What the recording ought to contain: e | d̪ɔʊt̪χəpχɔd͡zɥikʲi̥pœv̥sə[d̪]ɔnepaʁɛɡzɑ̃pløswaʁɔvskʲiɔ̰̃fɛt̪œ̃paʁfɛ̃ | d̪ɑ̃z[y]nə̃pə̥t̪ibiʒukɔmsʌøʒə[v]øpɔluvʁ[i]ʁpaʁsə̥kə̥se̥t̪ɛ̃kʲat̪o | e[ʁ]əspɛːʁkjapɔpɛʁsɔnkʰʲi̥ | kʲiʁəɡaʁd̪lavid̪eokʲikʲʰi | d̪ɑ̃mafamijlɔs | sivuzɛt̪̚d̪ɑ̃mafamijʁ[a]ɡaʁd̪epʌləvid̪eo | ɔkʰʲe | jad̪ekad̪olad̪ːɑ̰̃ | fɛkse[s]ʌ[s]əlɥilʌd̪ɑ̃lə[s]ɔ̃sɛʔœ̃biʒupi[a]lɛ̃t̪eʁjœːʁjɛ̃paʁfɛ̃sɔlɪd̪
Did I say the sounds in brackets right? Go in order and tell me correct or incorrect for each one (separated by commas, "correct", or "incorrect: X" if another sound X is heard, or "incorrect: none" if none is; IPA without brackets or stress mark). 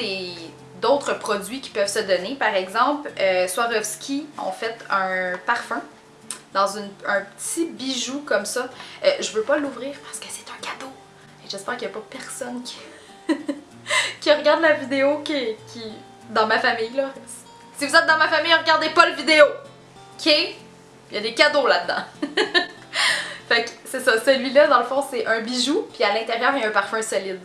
correct, correct, correct, incorrect: iː, incorrect: ʒ, incorrect: ə, correct, correct, incorrect: f, correct